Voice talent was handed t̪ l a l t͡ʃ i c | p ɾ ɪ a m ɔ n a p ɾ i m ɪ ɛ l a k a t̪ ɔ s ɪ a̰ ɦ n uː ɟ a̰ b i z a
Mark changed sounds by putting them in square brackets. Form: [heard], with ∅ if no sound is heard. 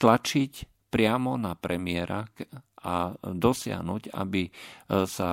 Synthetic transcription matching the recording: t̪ l a [∅] t͡ʃ i c | p ɾ ɪ a m ɔ n a p ɾ [ɛ] m ɪ ɛ [ɾ] a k a [d̪] ɔ s ɪ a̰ ɦ n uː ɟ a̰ b i [s] a